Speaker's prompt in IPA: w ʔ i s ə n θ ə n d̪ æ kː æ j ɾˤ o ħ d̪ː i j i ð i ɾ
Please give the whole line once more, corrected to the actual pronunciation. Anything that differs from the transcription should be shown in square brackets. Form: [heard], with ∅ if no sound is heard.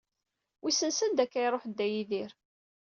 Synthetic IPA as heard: w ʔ i s ə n [s] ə n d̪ æ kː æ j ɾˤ o ħ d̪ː [æ] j i ð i ɾ